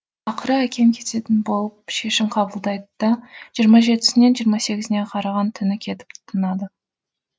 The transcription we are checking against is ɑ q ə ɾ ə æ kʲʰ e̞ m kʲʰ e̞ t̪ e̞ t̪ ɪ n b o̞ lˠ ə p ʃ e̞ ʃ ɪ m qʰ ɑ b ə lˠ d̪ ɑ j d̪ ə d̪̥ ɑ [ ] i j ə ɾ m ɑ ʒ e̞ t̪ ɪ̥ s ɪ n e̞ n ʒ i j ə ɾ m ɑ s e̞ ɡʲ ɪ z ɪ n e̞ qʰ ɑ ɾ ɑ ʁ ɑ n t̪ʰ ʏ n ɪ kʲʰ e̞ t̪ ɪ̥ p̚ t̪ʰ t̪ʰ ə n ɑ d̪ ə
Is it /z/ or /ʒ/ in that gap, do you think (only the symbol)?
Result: ʒ